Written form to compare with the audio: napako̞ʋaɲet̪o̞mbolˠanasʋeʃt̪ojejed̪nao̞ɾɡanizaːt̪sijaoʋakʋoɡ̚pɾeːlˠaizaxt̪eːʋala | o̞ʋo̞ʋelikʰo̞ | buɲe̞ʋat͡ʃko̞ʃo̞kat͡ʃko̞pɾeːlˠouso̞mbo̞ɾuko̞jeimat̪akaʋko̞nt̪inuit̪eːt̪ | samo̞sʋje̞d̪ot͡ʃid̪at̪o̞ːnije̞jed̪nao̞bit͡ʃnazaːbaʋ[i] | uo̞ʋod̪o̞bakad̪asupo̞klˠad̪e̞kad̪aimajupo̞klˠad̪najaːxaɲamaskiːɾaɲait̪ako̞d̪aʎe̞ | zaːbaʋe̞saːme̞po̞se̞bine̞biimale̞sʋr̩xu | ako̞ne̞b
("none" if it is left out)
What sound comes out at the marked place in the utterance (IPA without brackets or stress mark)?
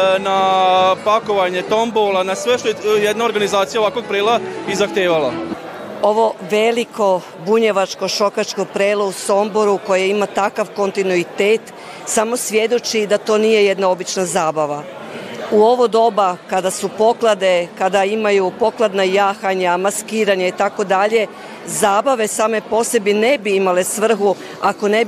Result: a